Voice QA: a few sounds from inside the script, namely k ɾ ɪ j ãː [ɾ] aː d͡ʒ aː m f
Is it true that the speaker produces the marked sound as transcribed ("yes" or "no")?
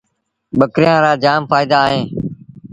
yes